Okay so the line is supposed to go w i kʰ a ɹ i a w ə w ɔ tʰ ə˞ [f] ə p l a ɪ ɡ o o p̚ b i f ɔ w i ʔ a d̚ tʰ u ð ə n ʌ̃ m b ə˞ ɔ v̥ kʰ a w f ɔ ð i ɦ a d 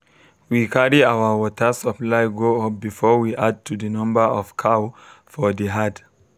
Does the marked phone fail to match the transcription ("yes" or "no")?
yes